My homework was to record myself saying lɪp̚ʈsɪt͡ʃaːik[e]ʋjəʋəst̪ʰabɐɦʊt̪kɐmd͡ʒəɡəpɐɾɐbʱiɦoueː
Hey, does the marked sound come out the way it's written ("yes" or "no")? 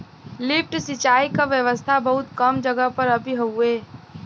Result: no